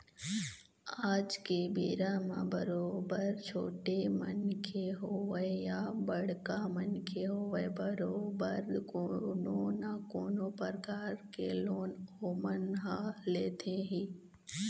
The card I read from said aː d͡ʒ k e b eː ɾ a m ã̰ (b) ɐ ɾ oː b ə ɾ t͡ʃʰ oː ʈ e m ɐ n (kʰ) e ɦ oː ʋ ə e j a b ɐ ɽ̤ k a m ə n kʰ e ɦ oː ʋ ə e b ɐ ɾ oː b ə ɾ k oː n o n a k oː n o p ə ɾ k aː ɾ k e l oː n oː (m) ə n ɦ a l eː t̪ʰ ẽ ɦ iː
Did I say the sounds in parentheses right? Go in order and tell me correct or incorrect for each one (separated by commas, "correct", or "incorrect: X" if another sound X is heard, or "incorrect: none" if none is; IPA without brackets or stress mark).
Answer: correct, correct, correct